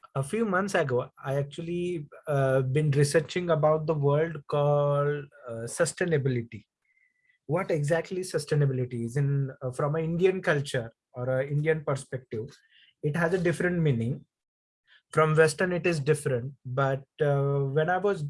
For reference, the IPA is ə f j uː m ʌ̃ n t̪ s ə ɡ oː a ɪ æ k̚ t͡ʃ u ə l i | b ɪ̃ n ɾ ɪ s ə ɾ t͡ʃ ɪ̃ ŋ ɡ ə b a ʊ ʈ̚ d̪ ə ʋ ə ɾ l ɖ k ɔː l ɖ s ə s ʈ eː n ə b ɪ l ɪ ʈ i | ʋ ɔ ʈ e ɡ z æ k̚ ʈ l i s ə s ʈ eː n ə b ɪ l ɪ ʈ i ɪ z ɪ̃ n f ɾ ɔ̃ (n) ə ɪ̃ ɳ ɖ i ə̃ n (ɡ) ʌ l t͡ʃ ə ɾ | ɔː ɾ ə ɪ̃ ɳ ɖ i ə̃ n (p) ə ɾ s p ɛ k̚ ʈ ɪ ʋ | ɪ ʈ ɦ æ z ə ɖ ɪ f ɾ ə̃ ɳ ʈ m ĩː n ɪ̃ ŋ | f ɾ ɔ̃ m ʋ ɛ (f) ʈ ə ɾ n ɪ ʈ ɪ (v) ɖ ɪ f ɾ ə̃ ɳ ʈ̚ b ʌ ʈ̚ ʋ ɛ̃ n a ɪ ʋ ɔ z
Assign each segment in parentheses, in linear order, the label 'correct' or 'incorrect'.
incorrect: m, incorrect: k, correct, incorrect: s, incorrect: z

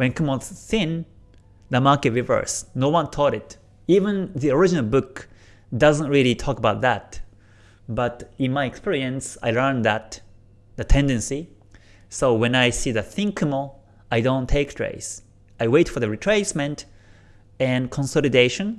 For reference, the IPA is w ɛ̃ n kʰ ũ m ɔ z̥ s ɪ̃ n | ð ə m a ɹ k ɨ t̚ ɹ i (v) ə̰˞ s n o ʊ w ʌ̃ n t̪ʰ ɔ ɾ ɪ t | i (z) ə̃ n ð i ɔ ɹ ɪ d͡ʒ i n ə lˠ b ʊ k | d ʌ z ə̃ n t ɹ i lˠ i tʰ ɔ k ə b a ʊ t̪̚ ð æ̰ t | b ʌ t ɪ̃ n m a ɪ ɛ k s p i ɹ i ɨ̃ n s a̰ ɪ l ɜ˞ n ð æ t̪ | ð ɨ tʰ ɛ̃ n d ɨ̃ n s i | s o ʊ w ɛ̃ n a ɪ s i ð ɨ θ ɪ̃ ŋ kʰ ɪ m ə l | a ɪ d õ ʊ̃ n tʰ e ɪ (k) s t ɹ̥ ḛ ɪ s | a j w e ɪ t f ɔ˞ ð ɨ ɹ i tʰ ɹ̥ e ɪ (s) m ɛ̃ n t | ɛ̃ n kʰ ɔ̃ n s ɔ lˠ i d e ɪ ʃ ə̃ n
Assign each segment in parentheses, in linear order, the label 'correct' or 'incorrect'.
correct, incorrect: v, correct, correct

